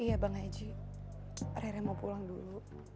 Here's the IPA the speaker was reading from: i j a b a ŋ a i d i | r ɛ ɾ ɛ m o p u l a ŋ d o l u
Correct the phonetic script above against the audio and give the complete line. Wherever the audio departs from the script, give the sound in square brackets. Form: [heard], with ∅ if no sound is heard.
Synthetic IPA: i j a b a ŋ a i [d͡ʒ] i | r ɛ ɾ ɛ m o p u l a ŋ d [u] l u